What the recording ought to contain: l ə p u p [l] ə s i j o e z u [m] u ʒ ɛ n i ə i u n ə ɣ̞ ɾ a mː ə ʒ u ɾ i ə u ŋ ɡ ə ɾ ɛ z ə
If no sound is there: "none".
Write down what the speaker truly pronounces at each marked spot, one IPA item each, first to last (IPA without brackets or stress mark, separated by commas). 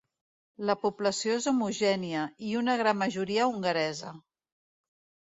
l, m